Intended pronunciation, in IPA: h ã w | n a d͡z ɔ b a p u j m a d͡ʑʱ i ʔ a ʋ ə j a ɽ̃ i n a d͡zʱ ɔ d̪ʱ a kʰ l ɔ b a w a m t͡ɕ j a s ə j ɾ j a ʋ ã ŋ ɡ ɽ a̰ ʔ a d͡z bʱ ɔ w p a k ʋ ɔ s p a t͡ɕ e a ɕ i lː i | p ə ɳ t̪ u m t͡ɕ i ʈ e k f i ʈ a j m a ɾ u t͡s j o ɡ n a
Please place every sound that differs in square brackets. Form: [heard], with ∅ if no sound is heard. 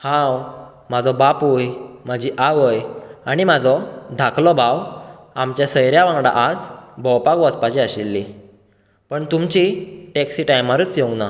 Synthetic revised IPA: h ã w | [m] a d͡z ɔ b a p u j m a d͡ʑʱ i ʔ a ʋ ə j a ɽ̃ i [m] a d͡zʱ ɔ d̪ʱ a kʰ l ɔ b a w a m t͡ɕ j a s ə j ɾ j a ʋ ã ŋ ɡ ɽ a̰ ʔ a d͡z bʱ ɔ w p a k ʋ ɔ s p a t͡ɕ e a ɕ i lː i | p ə ɳ t̪ u m t͡ɕ i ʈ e k [s] i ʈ a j m a ɾ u t͡s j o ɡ n a